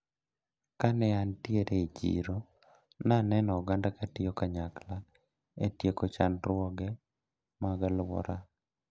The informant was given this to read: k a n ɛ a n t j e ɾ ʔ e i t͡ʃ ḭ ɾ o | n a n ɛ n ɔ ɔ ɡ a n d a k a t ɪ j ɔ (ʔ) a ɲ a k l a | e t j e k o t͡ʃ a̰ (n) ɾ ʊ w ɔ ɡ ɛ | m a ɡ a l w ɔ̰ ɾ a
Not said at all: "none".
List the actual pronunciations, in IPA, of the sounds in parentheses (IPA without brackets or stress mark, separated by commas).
k, n